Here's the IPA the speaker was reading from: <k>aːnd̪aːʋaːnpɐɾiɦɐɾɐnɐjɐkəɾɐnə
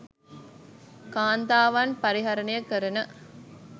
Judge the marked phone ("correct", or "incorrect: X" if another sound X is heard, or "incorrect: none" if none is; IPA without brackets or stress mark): correct